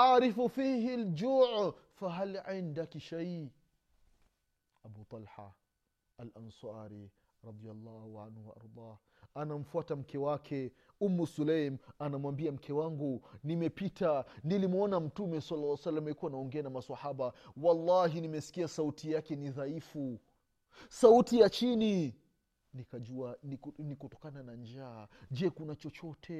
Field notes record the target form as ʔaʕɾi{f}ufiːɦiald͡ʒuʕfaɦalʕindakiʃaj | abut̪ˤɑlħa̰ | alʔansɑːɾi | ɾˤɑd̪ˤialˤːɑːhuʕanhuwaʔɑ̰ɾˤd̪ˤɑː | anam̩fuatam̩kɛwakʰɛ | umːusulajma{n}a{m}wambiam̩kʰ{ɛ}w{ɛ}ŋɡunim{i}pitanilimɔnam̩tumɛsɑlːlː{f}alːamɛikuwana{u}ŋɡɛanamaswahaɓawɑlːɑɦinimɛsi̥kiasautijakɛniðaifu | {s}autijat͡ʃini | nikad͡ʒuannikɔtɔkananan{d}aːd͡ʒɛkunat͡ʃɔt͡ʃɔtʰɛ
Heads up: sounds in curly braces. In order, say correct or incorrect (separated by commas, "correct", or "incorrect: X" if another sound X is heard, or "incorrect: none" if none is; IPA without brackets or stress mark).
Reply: correct, correct, correct, correct, incorrect: a, incorrect: ɛ, incorrect: s, incorrect: ɔ, correct, incorrect: d͡ʒ